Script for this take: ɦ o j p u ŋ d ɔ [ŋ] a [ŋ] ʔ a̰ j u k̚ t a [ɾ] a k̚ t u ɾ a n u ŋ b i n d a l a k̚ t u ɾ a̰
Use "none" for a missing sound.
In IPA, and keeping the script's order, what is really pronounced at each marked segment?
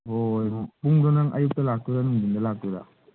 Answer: n, ŋ, l

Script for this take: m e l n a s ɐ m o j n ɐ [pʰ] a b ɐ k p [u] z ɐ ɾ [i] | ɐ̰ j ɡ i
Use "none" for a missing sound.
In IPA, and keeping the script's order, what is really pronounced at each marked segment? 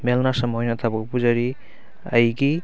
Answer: tʰ, u, i

